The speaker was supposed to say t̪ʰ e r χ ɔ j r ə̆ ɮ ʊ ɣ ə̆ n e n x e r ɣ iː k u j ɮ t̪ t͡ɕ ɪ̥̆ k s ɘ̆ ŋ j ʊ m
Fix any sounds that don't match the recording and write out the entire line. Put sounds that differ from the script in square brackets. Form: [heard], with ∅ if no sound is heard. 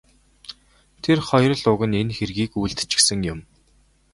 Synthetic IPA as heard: t̪ʰ e r χ ɔ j r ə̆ ɮ ʊ ɣ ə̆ n e n x e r ɣ iː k u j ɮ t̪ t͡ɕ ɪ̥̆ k s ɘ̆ ŋ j ʊ m

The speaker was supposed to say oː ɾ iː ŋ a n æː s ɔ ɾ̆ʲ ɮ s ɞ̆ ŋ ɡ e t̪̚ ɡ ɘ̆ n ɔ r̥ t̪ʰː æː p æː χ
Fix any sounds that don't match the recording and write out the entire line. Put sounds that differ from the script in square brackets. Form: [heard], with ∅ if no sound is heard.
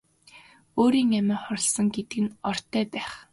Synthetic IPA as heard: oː ɾ iː ŋ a [m] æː [χ] ɔ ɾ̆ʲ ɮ s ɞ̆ ŋ ɡ e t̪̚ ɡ ɘ̆ n ɔ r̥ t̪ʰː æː p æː χ

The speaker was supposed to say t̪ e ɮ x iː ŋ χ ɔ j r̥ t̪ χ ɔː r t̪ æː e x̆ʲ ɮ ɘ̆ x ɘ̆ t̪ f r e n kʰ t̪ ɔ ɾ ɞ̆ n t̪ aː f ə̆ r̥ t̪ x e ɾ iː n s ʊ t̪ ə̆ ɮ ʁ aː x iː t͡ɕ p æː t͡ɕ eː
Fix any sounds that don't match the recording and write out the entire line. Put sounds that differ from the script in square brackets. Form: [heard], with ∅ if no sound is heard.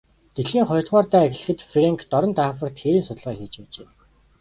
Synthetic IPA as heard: t̪ e ɮ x iː ŋ χ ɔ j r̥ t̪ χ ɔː r t̪ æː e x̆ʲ ɮ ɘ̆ x ɘ̆ t̪ f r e [ŋ] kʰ t̪ ɔ ɾ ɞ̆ n t̪ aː f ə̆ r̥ t̪ x e ɾ iː n s ʊ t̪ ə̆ ɮ ʁ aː x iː t͡ɕ p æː t͡ɕ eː

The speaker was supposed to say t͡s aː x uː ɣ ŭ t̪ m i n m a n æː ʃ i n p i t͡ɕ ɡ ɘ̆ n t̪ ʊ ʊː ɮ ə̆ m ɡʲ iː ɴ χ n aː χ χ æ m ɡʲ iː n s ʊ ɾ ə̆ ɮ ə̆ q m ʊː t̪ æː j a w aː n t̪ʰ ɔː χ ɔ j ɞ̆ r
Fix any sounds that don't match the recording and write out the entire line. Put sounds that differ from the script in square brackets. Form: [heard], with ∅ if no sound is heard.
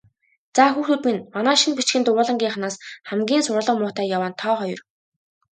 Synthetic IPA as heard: t͡s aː x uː [x] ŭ t̪ m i n m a n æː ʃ i n p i t͡ɕ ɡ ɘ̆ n t̪ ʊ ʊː ɮ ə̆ [ŋ] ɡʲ iː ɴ χ n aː [s] χ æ m ɡʲ iː n s ʊ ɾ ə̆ ɮ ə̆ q m ʊː t̪ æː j a w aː n t̪ʰ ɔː χ ɔ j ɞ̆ r

